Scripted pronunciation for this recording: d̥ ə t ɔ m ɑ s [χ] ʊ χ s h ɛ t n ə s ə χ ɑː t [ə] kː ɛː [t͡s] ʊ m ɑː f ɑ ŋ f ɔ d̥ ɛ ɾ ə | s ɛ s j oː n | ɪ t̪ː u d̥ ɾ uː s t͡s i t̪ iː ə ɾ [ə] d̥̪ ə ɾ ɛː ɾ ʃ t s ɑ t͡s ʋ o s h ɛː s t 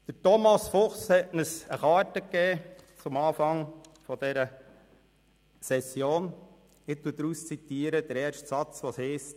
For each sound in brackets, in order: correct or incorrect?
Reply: incorrect: f, correct, correct, correct

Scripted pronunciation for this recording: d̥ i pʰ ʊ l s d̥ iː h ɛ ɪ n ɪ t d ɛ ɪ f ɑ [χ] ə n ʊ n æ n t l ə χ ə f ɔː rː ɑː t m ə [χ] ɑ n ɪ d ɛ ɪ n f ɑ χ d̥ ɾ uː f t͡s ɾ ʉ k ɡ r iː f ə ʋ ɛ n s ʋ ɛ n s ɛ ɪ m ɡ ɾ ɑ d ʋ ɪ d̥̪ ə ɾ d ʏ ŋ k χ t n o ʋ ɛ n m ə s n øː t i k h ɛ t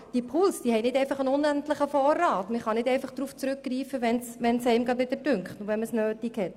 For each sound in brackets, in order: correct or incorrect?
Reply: correct, correct

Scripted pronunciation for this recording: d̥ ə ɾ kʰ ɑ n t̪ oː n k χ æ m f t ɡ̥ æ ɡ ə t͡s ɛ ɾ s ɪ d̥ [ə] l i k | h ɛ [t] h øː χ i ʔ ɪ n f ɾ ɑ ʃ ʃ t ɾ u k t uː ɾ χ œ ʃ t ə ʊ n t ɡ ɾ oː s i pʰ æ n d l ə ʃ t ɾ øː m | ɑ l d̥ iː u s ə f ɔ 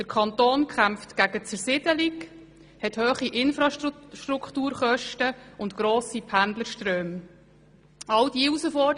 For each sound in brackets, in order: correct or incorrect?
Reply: correct, correct

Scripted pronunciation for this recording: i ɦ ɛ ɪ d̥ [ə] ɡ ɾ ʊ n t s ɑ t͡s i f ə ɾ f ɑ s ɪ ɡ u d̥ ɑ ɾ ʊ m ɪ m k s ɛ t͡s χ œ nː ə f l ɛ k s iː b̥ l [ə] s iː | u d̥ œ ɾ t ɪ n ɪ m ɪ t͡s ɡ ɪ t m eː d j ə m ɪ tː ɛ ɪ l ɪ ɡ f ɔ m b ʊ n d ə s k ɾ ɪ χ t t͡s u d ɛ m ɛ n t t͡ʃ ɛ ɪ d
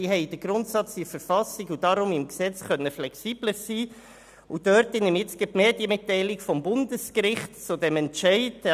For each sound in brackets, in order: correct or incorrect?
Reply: correct, correct

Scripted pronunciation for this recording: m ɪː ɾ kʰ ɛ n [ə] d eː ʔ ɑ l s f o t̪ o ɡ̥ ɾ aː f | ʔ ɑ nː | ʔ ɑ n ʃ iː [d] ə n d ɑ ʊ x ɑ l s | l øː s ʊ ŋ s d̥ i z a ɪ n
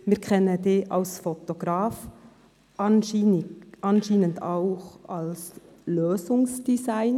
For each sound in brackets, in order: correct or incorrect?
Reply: correct, incorrect: n

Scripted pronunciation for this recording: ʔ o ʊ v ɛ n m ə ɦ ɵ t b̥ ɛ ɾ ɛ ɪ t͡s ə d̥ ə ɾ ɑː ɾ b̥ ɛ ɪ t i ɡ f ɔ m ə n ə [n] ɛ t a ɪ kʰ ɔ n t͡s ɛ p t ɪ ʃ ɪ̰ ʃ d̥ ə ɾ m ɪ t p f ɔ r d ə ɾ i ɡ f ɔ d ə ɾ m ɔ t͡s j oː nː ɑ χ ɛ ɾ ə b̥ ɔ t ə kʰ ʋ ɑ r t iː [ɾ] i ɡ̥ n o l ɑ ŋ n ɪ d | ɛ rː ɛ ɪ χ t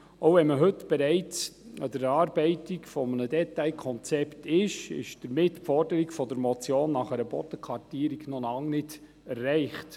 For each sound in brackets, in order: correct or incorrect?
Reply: incorrect: d, correct

